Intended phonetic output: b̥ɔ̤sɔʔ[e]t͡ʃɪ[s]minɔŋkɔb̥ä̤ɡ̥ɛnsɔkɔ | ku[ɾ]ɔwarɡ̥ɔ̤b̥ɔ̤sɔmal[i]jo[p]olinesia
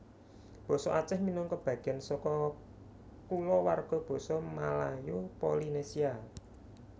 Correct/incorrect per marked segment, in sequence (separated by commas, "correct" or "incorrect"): incorrect, incorrect, incorrect, incorrect, correct